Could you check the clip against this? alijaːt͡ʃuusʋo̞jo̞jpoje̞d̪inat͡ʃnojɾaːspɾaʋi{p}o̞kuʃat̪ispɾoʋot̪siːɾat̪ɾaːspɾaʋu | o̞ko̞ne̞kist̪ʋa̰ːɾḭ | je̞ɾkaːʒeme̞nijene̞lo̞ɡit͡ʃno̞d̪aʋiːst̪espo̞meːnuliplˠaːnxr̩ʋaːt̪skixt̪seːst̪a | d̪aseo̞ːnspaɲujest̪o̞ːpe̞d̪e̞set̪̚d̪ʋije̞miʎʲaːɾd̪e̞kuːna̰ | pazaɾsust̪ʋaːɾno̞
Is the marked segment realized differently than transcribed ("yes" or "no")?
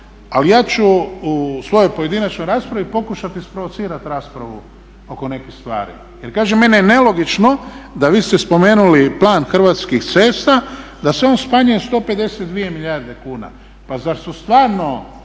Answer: no